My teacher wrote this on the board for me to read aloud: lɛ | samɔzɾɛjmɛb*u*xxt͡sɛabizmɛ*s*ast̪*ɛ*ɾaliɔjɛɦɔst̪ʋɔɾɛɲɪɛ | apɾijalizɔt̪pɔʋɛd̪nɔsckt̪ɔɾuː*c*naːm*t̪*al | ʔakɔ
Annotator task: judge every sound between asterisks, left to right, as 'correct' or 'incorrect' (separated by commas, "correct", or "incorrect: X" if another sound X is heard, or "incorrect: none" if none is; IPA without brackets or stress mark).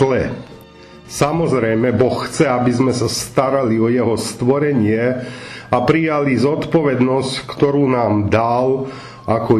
incorrect: ɔ, correct, incorrect: a, incorrect: none, incorrect: d̪